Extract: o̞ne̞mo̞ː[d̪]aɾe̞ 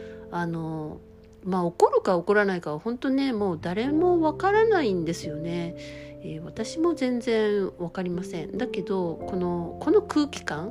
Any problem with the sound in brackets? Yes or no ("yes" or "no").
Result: no